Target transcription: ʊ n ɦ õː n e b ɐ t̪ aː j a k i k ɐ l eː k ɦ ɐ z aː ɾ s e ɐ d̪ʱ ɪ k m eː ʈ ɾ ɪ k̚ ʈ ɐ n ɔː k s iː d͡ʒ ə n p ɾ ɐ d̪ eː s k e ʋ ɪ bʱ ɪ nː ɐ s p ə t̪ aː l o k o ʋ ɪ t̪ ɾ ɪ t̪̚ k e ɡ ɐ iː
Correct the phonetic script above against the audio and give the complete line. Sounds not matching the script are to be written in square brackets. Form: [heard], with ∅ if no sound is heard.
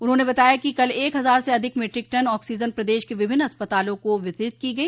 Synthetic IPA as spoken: ʊ n ɦ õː n e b ɐ t̪ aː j a k i k ɐ l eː k ɦ ɐ z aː ɾ s e ɐ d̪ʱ ɪ k m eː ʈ ɾ ɪ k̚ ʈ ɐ n ɔː k s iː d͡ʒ ə n p ɾ ɐ d̪ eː [ʃ] k e ʋ ɪ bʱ ɪ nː ɐ s p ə t̪ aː l [õ] k o ʋ ɪ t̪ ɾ ɪ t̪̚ k [i] ɡ ɐ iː

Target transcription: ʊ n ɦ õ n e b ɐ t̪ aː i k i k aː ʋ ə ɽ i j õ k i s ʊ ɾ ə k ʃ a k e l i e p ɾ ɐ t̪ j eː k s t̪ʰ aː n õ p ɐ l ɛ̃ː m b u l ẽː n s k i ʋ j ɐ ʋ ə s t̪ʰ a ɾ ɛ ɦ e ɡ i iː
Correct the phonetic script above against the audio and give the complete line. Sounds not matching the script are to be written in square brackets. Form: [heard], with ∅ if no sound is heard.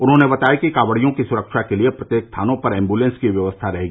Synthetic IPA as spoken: ʊ n ɦ õ n e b ɐ t̪ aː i k i k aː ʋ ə ɽ i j õ k i s ʊ ɾ ə k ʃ a k e l i e p ɾ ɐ t̪ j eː k s t̪ʰ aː n õ p ɐ [ɾ] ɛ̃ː m b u l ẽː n s k i ʋ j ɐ ʋ ə s t̪ʰ a ɾ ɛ ɦ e ɡ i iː

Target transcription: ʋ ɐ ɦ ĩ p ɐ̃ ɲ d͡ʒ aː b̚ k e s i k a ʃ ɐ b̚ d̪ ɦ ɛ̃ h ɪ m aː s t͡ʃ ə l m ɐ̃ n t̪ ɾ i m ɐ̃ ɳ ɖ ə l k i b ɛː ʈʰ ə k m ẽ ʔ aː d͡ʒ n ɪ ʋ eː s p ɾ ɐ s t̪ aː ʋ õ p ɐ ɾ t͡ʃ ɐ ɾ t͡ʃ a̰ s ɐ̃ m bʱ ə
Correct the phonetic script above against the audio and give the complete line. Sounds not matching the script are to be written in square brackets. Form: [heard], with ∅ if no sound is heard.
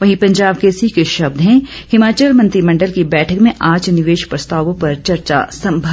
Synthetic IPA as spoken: ʋ ɐ ɦ ĩ p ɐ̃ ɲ d͡ʒ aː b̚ k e s i k [e] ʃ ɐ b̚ d̪ ɦ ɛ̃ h ɪ m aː [∅] t͡ʃ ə l m ɐ̃ n t̪ ɾ i m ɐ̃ ɳ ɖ ə l k i b ɛː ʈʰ ə k m ẽ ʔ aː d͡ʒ n ɪ ʋ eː [ʃ] p ɾ ɐ s t̪ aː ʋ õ p ɐ ɾ t͡ʃ ɐ ɾ t͡ʃ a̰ s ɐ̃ m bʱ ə

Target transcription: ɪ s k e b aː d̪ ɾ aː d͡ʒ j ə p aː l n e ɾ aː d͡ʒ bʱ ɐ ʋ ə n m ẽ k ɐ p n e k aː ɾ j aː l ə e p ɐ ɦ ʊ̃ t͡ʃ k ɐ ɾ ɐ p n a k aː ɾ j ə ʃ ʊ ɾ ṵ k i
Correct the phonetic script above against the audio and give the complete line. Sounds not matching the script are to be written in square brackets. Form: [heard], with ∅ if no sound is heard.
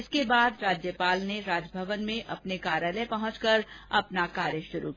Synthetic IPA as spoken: ɪ s k e b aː d̪ ɾ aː d͡ʒ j ə p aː l n e ɾ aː d͡ʒ bʱ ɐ ʋ ə n m ẽ [ʔ] ɐ p n e k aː ɾ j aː l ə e p ɐ ɦ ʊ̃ t͡ʃ k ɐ ɾ ɐ p n a k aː ɾ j ə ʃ ʊ ɾ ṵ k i

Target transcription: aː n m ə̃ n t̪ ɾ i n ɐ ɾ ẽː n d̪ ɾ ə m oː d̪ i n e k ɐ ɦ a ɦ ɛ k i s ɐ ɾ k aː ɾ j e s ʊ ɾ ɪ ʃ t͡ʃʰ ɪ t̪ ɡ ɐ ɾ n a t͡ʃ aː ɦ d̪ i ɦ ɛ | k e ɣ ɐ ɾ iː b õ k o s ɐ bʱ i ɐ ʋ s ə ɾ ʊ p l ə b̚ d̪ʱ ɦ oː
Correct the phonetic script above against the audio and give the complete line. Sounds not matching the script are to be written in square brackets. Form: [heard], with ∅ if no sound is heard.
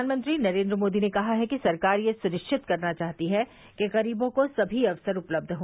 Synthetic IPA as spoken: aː n m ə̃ n t̪ ɾ i n ɐ ɾ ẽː n d̪ ɾ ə m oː d̪ i n e k ɐ ɦ a ɦ ɛ k i s ɐ ɾ k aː ɾ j e s ʊ ɾ ɪ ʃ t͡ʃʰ ɪ t̪ [k] ɐ ɾ n a t͡ʃ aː ɦ [t̪] i ɦ ɛ | k e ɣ ɐ ɾ iː b õ k o s ɐ bʱ i ɐ ʋ s ə ɾ ʊ p l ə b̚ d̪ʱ ɦ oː

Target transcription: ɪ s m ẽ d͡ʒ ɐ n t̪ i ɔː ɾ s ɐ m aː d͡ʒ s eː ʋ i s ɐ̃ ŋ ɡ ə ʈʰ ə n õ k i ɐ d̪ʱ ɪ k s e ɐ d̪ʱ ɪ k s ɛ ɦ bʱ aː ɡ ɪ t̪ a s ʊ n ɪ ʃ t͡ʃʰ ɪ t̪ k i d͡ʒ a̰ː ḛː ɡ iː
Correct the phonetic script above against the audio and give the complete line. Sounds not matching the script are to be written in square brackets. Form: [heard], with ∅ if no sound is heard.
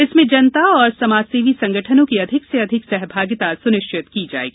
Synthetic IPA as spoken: ɪ s m ẽ d͡ʒ ɐ n t̪ [a] ɔː ɾ s ɐ m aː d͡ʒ s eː ʋ i s ɐ̃ ŋ ɡ ə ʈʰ ə n õ k i ɐ d̪ʱ ɪ k s e ɐ d̪ʱ ɪ k s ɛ ɦ bʱ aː ɡ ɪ t̪ a s ʊ n ɪ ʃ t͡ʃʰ ɪ t̪ k i d͡ʒ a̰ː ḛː ɡ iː

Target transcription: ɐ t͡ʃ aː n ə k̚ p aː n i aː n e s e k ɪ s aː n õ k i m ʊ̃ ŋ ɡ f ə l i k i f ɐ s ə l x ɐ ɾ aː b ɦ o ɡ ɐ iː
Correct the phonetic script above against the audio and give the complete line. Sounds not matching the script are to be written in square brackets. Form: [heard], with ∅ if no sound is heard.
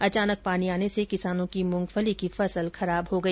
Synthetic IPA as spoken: ɐ t͡ʃ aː n ə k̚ p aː n i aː n e s e k ɪ s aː n õ k i m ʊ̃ ŋ ɡ f ə l i k i f ɐ s ə l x ɐ ɾ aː b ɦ o ɡ ɐ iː

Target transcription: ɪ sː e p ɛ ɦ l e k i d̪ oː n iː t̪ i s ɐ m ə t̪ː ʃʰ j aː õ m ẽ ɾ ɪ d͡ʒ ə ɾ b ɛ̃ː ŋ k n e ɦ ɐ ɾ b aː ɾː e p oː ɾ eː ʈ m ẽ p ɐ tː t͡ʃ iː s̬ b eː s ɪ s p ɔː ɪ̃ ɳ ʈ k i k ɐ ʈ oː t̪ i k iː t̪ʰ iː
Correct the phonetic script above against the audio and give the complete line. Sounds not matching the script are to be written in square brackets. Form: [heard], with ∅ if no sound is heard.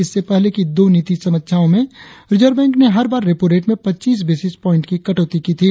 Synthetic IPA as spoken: ɪ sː e p ɛ ɦ l e k i d̪ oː n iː t̪ i s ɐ m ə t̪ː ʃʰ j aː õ m ẽ ɾ ɪ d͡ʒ ə ɾ b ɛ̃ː ŋ k n e ɦ ɐ ɾ b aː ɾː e p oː ɾ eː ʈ m ẽ p ɐ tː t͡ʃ iː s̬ b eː s ɪ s p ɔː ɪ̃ ɳ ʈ k i k ɐ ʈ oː t̪ i k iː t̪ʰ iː

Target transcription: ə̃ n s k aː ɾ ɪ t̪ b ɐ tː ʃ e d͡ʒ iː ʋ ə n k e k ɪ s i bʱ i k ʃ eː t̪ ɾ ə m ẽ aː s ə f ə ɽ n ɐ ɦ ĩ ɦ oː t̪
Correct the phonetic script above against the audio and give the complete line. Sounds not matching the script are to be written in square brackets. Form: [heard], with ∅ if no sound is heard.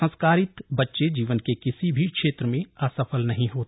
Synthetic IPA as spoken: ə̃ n s k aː ɾ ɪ t̪ b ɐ tː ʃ e d͡ʒ iː ʋ ə n k e k ɪ s i bʱ i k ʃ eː t̪ ɾ ə m ẽ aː s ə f ə [l] n ɐ ɦ ĩ ɦ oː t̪

